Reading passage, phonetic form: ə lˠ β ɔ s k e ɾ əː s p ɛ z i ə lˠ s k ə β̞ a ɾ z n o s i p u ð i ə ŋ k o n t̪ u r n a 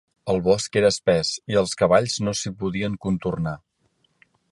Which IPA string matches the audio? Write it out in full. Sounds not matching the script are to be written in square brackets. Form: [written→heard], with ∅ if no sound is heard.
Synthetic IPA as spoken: ə lˠ β ɔ s k e ɾ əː s p ɛ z i ə lˠ s k ə β̞ a [ɾ→ʎ] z n o s i p u ð i ə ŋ k [o→u] n t̪ u r n a